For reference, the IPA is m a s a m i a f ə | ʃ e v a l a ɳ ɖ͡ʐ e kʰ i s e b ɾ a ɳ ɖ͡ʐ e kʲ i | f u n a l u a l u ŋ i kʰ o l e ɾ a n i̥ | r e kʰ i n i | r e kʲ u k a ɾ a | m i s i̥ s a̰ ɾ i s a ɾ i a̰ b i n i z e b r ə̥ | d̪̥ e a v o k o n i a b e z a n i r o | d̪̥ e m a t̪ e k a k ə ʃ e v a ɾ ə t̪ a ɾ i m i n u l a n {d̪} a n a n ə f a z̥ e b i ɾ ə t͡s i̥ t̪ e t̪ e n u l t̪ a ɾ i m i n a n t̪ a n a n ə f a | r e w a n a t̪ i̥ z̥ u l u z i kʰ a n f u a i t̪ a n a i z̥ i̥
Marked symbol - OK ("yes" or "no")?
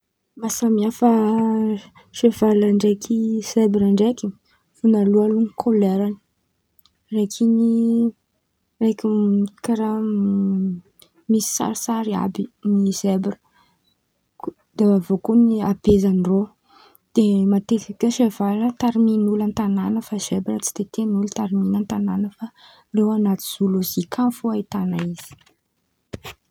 no